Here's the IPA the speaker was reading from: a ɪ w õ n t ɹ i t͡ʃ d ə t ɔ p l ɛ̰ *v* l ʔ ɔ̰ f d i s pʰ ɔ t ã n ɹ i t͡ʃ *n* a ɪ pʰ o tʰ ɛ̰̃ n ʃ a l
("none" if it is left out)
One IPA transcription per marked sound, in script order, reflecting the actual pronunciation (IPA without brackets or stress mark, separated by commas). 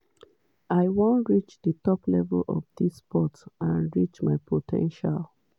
v, m